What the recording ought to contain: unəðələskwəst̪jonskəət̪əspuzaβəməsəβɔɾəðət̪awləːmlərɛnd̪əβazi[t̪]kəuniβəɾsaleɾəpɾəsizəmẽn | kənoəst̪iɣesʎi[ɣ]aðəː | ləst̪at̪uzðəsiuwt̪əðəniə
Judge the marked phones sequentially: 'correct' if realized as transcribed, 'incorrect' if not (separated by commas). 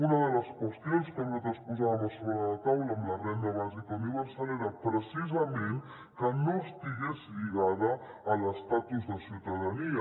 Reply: incorrect, correct